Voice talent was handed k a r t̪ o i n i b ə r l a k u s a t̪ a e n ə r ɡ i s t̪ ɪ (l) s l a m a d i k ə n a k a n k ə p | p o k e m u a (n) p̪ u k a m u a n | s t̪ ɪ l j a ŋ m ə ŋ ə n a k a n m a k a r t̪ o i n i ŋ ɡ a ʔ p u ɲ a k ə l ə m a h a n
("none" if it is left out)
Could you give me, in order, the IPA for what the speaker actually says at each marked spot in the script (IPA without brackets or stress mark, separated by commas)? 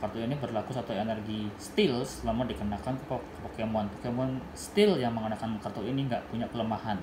l, n